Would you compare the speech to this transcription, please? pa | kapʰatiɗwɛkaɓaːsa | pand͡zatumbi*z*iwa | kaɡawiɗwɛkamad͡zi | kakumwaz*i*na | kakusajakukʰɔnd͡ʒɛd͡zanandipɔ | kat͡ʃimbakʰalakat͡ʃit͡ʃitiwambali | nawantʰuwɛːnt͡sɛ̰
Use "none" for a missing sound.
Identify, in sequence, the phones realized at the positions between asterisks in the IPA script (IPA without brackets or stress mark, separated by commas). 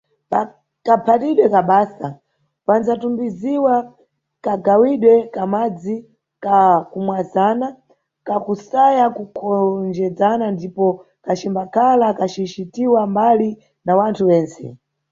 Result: z, a